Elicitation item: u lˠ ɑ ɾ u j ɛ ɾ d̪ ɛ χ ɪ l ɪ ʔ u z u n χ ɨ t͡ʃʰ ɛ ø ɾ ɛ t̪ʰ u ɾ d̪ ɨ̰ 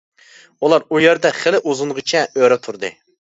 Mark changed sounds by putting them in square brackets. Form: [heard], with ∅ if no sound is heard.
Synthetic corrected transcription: u lˠ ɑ ɾ u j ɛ ɾ d̪ ɛ χ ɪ l ɪ ʔ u z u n [ʁ] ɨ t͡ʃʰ ɛ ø ɾ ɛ t̪ʰ u ɾ d̪ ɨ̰